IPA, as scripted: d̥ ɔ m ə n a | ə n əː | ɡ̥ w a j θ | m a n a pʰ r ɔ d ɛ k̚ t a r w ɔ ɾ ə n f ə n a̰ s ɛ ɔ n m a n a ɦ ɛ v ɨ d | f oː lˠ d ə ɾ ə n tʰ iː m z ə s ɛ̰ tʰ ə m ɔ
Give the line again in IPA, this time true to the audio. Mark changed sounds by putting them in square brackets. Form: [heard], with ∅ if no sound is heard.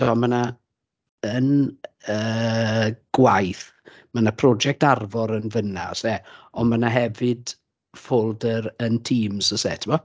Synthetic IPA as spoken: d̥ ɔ m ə n a | ə n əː | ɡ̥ w a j θ | m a n a pʰ r ɔ [d͡ʒ] ɛ k̚ t a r [v] ɔ ɾ ə n [v] ə n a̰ s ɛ ɔ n m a n a ɦ ɛ v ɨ d | f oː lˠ d ə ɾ ə n tʰ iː m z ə s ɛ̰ tʰ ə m ɔ

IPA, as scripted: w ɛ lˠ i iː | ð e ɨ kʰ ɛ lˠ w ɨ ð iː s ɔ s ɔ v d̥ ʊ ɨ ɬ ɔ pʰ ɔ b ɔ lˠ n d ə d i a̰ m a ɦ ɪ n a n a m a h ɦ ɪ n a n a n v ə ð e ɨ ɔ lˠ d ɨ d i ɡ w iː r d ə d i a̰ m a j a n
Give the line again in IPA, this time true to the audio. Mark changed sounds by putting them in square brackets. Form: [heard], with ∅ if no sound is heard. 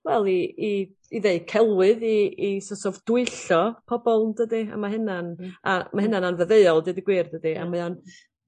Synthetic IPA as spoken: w ɛ lˠ i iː | ð e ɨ kʰ ɛ lˠ w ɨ ð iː s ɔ s ɔ v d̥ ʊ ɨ ɬ ɔ pʰ ɔ b ɔ lˠ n d ə d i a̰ m a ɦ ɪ n a n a m a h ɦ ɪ n a n a n v ə ð e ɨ ɔ lˠ d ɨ d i ɡ w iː r d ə d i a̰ m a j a n

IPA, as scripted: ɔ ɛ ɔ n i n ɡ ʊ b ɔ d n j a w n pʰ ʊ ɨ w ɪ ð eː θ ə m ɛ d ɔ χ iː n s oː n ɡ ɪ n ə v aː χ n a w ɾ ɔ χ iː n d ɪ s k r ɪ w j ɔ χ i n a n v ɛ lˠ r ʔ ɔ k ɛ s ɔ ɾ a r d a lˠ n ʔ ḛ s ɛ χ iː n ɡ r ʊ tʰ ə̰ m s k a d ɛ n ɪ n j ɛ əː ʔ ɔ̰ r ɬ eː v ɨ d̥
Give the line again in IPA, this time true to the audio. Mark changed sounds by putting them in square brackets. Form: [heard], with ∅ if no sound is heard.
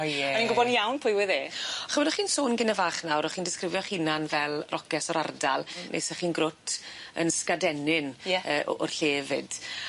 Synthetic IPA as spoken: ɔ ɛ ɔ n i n ɡ ʊ b ɔ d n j a w n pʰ ʊ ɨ w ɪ ð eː [χ] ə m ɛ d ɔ χ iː n s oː n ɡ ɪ n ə v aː χ n a w ɾ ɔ χ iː n d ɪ s k r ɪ [v] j ɔ χ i n a n v ɛ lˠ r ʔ ɔ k ɛ s ɔ ɾ a r d a lˠ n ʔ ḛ s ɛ χ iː n ɡ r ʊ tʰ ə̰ [n] s k a d ɛ n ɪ n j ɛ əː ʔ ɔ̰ r ɬ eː v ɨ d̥

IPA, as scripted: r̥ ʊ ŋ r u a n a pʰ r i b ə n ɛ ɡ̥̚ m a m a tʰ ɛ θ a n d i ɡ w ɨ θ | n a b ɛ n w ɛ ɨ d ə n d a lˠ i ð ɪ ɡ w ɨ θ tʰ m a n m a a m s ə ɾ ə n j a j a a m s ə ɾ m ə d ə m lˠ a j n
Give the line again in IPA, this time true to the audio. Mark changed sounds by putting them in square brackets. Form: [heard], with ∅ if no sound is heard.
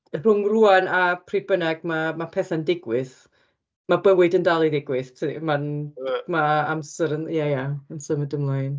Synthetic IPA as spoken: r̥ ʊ ŋ r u a n a pʰ r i b ə n ɛ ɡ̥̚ m a m a [pʰ] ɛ θ a n d [ɪ] ɡ w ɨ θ | [m] a b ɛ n w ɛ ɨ d ə n d a lˠ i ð ɪ ɡ w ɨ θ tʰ m a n m a a m s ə ɾ ə n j a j a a m s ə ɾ m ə d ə m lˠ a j n

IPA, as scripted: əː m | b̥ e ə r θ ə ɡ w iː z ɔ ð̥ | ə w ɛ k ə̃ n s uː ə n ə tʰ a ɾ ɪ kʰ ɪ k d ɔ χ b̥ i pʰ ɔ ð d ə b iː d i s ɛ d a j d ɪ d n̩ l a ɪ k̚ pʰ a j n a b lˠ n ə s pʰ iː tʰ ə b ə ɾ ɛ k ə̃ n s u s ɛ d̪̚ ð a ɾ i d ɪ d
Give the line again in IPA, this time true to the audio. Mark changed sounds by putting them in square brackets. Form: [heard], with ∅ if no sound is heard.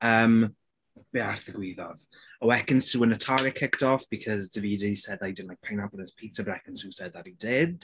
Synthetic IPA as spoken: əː m | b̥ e [a] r θ ə ɡ w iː [ð] ɔ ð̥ | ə w ɛ k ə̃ n s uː ə n ə tʰ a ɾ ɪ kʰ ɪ k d ɔ [f] b̥ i [kʰ] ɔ [z] d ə [v] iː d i s ɛ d a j d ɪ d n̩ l a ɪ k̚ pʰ a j n a b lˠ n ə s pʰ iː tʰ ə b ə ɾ ɛ k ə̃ n s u s ɛ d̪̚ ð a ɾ i d ɪ d

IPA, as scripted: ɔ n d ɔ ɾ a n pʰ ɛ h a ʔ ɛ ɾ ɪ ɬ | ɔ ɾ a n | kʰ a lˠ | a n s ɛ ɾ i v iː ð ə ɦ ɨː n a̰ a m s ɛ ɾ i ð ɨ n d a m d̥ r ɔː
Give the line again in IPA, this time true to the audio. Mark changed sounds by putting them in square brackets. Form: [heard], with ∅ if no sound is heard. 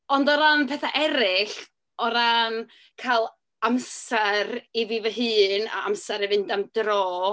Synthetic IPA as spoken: ɔ n d ɔ ɾ a n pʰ ɛ [θ] a ʔ ɛ ɾ ɪ ɬ | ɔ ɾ a n | kʰ a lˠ | a [m] s ɛ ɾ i v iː [v] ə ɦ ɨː n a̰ a m s ɛ ɾ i [v] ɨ n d a m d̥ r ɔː

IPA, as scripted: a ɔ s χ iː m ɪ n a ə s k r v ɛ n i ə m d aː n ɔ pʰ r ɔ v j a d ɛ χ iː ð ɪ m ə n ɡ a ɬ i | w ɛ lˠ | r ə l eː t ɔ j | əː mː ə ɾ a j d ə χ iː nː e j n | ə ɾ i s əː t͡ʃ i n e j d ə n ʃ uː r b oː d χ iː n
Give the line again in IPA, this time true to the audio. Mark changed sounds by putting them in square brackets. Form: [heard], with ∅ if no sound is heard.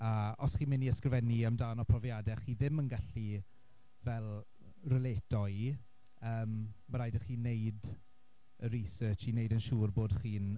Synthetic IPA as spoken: a ɔ s χ iː m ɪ n [i] ə s k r v ɛ n i ə m d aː n ɔ pʰ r ɔ v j a d ɛ χ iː ð ɪ m ə n ɡ a ɬ i | [v] ɛ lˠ | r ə l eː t ɔ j | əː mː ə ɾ a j d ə χ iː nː e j [d] | ə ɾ i s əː t͡ʃ i n e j d ə n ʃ uː r b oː d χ iː n

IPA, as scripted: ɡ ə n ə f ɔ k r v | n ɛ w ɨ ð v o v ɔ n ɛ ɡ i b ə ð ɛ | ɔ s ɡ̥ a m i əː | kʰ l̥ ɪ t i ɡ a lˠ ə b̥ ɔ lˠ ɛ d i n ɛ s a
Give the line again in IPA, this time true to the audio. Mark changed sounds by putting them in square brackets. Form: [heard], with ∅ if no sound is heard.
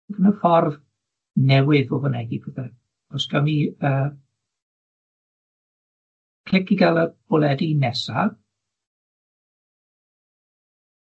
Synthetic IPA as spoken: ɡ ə n ə f ɔ [∅] r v | n ɛ w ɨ ð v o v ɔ n ɛ ɡ i b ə ð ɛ | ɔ s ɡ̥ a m i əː | kʰ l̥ ɪ [k] i ɡ a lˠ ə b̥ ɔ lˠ ɛ d i n ɛ s a

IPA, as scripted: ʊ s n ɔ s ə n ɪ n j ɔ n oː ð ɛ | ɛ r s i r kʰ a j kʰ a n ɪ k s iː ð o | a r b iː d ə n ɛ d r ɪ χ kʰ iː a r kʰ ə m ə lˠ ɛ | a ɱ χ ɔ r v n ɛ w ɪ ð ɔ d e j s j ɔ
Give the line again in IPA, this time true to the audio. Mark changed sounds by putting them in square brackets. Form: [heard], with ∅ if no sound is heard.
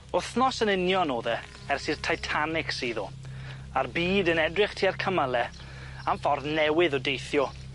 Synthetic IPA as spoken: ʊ [θ] n ɔ s ə n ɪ n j ɔ n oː ð ɛ | ɛ r s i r [tʰ] a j [tʰ] a n ɪ k s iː ð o | a r b iː d ə n ɛ d r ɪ χ [tʰ] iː a r kʰ ə m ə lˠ ɛ | a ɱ [f] ɔ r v n ɛ w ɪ ð ɔ d e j [θ] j ɔ

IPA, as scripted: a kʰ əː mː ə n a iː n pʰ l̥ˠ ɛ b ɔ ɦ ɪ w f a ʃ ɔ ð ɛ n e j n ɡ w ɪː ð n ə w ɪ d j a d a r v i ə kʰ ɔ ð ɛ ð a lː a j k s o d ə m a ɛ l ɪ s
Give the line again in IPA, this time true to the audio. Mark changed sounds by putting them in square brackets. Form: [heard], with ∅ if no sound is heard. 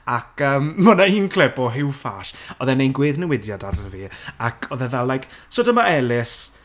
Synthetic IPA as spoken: a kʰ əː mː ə n a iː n [kʰ] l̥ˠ ɛ b ɔ ɦ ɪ w f a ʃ ɔ ð ɛ n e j n ɡ w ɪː ð n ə w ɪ d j a d a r v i [a] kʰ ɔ ð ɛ ð a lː a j k s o d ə m a ɛ l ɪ s

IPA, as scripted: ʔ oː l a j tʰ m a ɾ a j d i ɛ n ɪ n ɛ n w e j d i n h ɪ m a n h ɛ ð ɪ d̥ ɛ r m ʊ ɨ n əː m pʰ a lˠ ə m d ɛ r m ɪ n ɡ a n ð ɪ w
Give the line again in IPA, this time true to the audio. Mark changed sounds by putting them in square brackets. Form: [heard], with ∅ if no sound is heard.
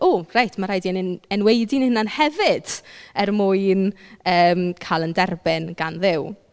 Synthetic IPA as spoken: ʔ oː [r] a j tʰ m a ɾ a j d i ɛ n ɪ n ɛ n w e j d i n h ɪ [n] a n h ɛ [v] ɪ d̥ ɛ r m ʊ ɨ n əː m [kʰ] a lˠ ə [n] d ɛ r [b] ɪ n ɡ a n ð ɪ w

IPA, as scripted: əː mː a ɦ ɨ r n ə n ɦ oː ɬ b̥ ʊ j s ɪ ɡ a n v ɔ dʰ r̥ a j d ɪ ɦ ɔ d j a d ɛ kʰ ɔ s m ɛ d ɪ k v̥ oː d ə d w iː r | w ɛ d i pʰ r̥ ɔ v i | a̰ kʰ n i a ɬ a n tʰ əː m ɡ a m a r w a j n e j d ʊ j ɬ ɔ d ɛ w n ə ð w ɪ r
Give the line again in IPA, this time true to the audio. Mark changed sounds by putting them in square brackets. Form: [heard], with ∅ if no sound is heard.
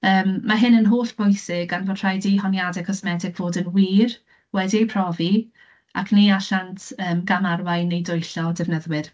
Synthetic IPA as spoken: əː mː a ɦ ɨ [∅] n ə n ɦ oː ɬ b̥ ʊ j s ɪ ɡ a n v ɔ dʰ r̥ a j d [i] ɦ ɔ [n] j a d ɛ kʰ ɔ s m ɛ d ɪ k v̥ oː d ə [n] w iː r | w ɛ d i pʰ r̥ ɔ v i | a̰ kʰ n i a ɬ a n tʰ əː m ɡ a m a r w a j n e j d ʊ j ɬ ɔ d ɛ [v] n ə ð w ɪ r

